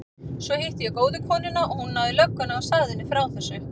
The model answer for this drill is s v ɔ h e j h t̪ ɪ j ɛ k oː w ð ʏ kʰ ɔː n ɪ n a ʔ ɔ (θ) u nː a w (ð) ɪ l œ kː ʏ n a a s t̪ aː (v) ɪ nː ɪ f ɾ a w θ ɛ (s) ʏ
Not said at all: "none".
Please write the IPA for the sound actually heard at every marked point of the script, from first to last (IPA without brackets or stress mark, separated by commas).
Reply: h, ð, ð, sː